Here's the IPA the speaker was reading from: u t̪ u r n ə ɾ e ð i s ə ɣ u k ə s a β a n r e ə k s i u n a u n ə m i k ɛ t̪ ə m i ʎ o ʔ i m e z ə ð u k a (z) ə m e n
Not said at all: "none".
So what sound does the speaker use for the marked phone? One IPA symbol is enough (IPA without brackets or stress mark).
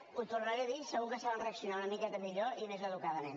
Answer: ð